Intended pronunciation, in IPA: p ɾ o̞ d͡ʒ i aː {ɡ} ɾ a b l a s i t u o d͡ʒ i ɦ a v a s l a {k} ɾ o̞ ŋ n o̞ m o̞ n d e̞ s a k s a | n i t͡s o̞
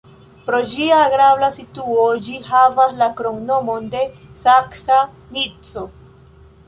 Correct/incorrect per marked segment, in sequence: correct, correct

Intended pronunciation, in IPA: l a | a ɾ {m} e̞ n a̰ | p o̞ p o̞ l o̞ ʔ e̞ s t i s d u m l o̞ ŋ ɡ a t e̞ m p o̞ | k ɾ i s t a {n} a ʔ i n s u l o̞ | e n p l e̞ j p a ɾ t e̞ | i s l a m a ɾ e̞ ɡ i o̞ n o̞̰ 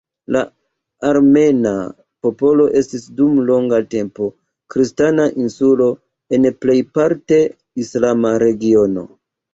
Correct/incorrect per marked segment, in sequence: correct, correct

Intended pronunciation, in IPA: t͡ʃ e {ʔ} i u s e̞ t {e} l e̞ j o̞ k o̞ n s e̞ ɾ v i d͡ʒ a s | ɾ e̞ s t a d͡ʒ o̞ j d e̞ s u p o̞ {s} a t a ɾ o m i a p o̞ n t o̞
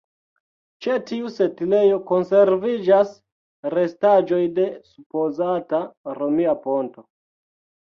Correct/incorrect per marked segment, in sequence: incorrect: t, incorrect: i, incorrect: z

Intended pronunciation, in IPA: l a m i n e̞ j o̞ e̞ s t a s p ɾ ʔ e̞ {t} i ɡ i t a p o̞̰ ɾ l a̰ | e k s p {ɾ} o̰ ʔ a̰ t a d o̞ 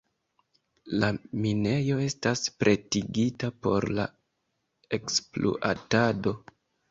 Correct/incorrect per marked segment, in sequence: correct, incorrect: l

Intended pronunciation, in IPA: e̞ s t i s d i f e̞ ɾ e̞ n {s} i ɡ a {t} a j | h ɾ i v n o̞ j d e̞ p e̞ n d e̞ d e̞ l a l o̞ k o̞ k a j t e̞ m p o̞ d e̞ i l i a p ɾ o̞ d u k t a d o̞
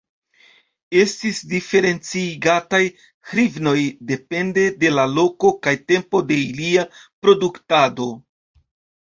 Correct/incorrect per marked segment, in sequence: incorrect: t͡s, correct

